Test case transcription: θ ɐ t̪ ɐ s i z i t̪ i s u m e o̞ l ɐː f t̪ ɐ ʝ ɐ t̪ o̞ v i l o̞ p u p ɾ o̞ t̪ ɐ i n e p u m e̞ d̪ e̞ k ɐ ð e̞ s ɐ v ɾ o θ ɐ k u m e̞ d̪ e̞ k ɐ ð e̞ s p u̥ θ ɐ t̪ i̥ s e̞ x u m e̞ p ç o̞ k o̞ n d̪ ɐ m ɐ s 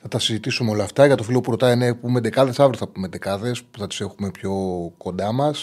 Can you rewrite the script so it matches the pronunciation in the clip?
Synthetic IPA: θ ɐ t̪ ɐ s i z i t̪ i s u m e o̞ l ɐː f t̪ ɐ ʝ ɐ t̪ o̞ f i l o̞ p u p ɾ o̞ t̪ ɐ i n e p u m e̞ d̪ e̞ k ɐ ð e̞ s ɐ v ɾ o θ ɐ p u m e̞ d̪ e̞ k ɐ ð e̞ s p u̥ θ ɐ t̪ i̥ s e̞ x u m e̞ p ç o̞ k o̞ n d̪ ɐ m ɐ s